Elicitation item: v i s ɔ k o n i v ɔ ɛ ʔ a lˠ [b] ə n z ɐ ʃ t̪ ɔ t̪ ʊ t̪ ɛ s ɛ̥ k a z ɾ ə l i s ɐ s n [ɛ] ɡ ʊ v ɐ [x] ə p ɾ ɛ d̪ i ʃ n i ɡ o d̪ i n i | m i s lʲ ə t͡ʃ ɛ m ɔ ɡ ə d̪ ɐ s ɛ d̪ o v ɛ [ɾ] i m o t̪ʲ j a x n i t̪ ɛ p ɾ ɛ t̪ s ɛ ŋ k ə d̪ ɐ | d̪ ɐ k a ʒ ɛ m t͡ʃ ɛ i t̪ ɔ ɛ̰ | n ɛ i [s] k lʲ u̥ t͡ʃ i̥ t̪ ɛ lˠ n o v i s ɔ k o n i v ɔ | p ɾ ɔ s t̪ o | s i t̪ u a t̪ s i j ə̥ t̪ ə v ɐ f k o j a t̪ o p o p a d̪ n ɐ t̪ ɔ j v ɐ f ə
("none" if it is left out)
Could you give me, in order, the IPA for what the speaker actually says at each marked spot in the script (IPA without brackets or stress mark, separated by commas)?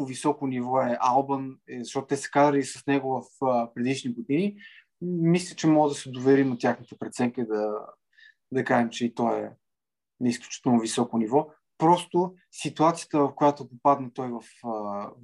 b, ɛ, f, ɾ, s